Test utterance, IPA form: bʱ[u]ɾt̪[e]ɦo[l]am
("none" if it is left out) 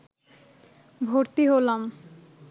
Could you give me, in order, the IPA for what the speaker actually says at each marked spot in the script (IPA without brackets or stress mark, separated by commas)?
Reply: o, i, l